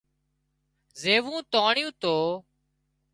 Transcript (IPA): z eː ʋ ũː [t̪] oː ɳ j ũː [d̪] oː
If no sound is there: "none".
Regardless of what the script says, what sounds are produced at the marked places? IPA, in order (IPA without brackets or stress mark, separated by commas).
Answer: t̪, t̪